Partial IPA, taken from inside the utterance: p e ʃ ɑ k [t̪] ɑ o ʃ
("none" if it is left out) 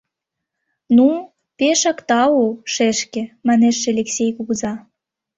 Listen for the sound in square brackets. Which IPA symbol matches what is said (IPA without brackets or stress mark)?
t̪